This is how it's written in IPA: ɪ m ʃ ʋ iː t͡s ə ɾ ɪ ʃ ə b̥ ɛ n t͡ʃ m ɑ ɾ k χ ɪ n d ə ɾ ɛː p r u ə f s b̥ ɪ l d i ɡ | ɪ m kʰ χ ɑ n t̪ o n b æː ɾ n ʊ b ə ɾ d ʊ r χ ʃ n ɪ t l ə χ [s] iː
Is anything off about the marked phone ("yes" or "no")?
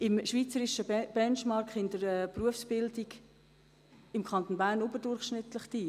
yes